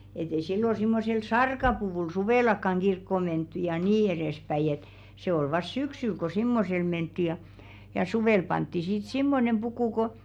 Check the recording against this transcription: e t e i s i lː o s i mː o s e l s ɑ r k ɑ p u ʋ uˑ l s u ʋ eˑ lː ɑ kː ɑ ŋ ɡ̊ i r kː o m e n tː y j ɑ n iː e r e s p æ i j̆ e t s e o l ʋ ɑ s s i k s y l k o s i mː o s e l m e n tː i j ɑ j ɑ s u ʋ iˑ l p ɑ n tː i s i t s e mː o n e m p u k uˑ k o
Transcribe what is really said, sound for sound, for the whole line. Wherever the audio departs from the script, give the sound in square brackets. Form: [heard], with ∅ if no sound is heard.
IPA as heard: e t e i s i lː o s i mː o s e l s ɑ r k ɑ p u ʋ uˑ l s u ʋ eˑ [l] ɑ kː ɑ ŋ ɡ̊ i r kː o m e n tː y j ɑ n iː e r e s p æ i j̆ e t s e o l ʋ ɑ s s [y] k s y l k o s i mː o s e l m e n tː i j ɑ j ɑ s u ʋ [eˑ] l p ɑ n tː i s i t s [i] mː o n e m p u k uˑ k o